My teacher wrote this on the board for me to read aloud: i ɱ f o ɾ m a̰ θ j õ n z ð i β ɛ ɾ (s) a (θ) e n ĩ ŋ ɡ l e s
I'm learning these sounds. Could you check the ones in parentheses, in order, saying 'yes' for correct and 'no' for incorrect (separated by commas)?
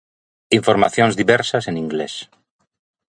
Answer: yes, no